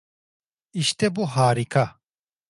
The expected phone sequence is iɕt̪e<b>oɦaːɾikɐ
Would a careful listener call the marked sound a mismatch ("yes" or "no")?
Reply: no